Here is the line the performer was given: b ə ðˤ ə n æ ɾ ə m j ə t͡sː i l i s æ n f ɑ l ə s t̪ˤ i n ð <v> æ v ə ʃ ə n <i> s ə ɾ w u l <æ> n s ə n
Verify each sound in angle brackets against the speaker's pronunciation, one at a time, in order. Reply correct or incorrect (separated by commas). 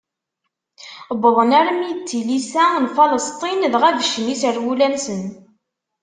incorrect, correct, correct